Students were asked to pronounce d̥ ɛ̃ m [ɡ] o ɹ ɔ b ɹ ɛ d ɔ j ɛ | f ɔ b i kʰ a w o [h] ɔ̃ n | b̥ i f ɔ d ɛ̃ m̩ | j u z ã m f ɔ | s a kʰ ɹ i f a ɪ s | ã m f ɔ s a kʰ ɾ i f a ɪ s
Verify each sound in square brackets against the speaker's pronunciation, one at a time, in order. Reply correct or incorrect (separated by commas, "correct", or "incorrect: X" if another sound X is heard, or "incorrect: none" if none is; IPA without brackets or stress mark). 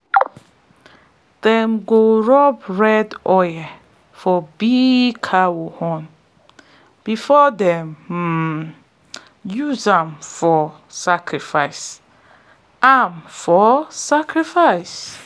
correct, correct